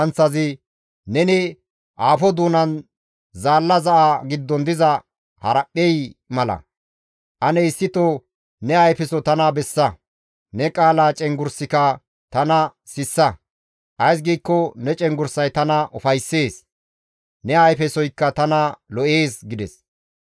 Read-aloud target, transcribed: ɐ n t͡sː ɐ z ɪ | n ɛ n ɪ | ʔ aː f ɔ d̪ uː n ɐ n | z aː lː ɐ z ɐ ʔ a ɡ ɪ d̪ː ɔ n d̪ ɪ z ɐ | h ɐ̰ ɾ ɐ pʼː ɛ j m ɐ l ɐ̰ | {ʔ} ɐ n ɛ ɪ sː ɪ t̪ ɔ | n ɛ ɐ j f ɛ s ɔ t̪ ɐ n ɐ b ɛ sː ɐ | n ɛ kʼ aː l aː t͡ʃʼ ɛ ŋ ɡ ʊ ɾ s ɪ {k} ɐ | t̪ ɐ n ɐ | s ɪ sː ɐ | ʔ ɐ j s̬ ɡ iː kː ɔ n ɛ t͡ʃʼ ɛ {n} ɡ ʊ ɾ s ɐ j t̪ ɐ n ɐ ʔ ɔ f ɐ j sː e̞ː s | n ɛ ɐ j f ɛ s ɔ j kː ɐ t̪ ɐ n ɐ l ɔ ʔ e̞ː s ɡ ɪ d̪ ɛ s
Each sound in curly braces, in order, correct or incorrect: correct, correct, incorrect: ŋ

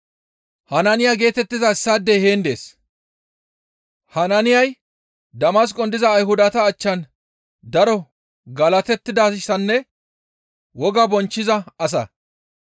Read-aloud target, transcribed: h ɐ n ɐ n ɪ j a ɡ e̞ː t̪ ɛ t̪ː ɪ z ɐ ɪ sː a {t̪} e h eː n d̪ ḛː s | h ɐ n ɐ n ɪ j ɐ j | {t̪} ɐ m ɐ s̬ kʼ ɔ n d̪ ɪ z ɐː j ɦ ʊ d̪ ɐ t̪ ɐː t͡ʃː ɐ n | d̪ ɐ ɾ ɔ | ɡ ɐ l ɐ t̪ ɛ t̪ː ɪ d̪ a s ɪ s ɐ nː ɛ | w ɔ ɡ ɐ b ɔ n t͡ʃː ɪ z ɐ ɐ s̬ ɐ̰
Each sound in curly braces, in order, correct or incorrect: incorrect: d̪, incorrect: d̪

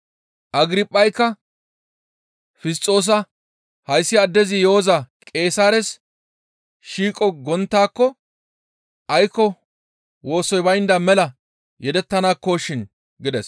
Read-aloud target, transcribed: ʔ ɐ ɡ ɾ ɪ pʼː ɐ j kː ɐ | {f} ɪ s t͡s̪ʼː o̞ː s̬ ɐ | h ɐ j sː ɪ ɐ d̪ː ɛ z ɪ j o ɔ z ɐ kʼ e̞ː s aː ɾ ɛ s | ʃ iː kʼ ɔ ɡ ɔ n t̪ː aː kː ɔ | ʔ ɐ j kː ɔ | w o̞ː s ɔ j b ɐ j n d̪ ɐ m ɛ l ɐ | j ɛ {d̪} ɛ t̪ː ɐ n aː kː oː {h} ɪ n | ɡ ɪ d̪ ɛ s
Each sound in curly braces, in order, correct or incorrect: correct, correct, incorrect: ʃ

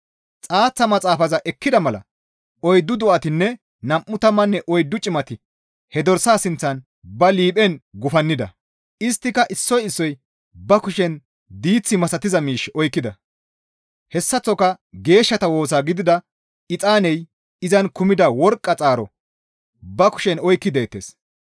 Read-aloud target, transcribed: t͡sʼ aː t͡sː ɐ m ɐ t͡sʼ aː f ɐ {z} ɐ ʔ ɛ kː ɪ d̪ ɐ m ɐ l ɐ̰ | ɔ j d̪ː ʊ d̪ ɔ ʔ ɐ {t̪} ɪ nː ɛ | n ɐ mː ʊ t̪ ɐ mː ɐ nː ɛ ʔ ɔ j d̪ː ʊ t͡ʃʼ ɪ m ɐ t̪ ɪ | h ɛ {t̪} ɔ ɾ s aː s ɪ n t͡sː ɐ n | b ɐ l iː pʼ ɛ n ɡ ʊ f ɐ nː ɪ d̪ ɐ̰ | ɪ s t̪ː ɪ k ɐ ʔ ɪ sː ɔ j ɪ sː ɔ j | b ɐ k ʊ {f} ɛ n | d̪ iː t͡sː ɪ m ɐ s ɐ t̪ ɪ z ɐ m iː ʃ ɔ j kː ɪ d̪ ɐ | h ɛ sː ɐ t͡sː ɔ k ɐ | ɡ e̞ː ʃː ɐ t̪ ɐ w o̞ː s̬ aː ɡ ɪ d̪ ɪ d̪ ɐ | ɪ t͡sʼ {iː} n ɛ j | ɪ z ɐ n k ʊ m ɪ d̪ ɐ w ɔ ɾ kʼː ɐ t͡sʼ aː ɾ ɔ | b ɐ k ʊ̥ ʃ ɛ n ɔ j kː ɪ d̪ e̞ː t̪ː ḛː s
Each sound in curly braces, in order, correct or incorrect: correct, correct, incorrect: d̪, incorrect: ʃ, incorrect: aː

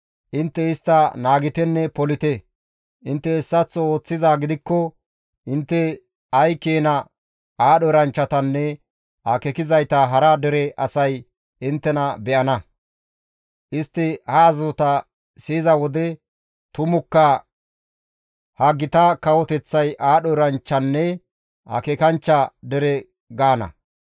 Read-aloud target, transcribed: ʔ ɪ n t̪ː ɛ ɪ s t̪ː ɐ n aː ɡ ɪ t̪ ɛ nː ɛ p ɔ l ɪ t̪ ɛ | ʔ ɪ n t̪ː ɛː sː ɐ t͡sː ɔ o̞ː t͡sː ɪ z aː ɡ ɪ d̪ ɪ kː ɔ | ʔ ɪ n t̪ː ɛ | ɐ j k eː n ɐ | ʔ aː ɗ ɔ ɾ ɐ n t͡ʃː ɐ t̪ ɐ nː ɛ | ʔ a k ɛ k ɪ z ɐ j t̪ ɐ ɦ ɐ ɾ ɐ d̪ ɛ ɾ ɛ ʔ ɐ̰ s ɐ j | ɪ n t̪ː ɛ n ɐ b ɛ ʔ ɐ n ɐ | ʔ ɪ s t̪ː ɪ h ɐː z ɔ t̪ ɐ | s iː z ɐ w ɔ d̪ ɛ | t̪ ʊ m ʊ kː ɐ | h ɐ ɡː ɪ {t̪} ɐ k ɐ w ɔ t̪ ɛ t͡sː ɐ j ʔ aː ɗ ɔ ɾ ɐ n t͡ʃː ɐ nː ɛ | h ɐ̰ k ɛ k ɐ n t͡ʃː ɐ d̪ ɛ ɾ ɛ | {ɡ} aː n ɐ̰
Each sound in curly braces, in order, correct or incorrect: correct, correct

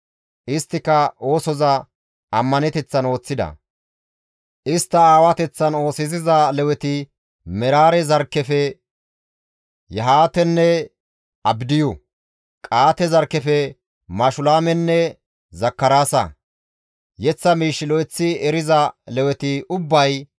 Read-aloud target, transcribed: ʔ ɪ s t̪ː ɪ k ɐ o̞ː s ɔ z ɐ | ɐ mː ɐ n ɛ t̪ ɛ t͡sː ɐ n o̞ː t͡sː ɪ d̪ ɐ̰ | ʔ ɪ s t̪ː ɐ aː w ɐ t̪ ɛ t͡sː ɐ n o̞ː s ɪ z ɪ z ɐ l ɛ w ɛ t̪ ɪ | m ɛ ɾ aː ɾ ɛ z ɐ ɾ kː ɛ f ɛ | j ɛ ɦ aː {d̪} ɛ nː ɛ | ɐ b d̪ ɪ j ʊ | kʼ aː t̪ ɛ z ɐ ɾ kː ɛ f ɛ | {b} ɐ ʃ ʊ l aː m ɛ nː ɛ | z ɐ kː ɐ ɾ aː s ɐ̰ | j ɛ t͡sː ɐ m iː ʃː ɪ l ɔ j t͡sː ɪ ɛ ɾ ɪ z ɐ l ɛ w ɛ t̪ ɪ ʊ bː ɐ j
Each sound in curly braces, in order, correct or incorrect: incorrect: t̪, incorrect: m

